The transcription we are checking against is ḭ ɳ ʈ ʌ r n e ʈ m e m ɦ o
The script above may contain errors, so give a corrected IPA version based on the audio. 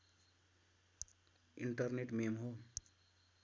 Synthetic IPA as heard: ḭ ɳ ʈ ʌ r n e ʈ m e m ɦ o